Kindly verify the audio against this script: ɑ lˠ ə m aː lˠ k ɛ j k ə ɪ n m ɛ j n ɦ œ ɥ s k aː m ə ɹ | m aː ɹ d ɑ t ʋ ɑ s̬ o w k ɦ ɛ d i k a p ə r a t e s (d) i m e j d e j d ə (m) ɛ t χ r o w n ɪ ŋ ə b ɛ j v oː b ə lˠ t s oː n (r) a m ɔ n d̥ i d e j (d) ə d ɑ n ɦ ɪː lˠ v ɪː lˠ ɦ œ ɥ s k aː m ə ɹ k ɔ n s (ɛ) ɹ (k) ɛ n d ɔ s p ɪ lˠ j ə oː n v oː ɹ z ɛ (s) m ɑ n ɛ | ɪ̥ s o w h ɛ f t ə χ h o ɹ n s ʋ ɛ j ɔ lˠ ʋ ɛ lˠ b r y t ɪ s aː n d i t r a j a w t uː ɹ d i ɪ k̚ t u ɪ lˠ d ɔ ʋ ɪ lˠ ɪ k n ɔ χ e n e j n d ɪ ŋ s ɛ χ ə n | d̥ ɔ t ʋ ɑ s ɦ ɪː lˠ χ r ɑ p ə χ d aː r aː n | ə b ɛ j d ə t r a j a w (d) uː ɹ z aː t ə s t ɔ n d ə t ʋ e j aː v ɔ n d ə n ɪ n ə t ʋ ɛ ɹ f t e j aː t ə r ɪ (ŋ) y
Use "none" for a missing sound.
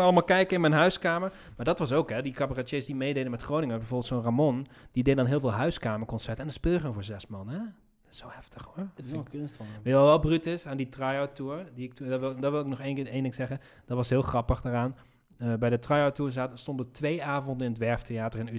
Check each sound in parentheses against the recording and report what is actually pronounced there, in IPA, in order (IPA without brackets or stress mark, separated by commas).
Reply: d, m, r, d, ɛ, t, s, t, n